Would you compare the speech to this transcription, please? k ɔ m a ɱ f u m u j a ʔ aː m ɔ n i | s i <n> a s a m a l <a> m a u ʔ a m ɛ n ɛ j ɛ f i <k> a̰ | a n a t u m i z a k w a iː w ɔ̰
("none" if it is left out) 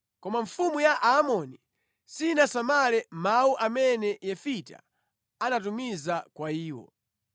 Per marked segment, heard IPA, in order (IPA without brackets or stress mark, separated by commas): n, ɛ, t